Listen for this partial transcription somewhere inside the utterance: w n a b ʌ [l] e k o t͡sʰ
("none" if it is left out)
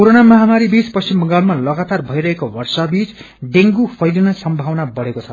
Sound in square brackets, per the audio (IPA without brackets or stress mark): ɽ